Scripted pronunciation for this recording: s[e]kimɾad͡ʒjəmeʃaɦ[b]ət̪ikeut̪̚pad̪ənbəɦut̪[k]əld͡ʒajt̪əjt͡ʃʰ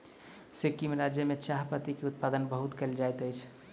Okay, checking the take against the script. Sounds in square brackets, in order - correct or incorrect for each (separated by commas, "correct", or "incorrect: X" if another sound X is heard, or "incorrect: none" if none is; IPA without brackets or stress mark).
correct, incorrect: p, correct